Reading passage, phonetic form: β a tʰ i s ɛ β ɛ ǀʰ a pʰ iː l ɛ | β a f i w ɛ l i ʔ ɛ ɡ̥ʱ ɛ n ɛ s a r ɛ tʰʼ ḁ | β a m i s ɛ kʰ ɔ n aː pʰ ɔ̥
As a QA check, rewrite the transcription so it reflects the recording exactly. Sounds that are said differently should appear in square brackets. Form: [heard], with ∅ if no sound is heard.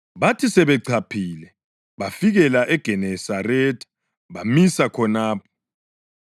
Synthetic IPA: β a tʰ i s ɛ β ɛ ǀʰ a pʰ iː l ɛ | β a f i [ɣ] ɛ l [a] ʔ ɛ ɡ̥ʱ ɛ n ɛ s a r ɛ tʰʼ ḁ | β a m i s [a] kʰ ɔ n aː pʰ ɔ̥